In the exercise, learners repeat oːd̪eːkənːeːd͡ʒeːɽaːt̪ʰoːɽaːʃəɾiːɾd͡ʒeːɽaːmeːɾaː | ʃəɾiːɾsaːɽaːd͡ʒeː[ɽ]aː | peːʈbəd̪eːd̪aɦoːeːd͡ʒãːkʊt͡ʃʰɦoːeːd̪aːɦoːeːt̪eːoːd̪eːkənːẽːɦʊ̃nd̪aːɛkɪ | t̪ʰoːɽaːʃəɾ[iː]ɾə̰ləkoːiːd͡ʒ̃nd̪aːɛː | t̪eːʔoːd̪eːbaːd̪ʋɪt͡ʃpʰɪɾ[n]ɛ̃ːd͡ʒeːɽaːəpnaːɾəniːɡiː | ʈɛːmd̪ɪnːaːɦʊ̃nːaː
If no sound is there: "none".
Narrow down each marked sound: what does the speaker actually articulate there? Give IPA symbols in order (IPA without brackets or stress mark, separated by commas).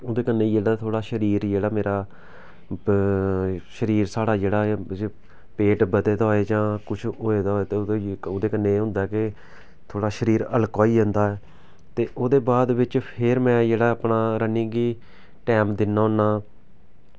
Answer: ɽ, iː, m